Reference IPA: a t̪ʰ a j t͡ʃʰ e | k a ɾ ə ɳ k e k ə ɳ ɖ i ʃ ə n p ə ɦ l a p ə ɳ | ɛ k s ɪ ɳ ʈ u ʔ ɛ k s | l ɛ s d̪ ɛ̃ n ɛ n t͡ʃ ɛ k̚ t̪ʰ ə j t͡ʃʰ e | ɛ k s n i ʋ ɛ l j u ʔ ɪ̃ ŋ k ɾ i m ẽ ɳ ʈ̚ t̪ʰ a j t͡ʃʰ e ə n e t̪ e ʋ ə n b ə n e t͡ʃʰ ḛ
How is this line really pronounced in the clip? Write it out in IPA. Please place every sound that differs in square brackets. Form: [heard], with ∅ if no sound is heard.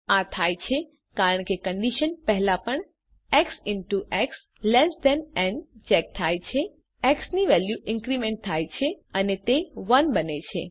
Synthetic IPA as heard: a t̪ʰ a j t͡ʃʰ e | k a ɾ ə ɳ k e k ə ɳ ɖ i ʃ ə n p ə ɦ l a p ə ɳ | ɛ k s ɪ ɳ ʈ u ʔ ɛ k s | l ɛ s d̪ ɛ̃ n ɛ n t͡ʃ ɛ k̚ t̪ʰ [a] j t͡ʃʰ e | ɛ k s n i ʋ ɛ l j u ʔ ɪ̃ ŋ k ɾ i m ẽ ɳ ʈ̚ t̪ʰ a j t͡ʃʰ e ə n e t̪ e ʋ ə n b ə n e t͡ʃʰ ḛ